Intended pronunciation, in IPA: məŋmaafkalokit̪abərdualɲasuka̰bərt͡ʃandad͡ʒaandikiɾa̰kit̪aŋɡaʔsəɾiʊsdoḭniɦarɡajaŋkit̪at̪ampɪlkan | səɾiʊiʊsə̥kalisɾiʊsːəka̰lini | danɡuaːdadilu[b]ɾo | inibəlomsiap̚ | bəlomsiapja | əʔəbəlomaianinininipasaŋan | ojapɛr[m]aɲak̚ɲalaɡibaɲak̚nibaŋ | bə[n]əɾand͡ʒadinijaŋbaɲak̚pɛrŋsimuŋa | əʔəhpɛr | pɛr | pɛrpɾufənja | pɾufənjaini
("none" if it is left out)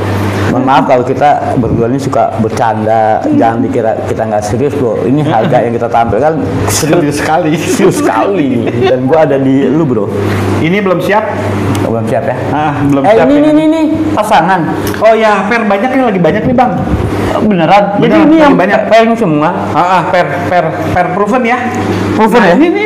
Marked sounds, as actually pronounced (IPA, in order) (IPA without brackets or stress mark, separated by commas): b, b, n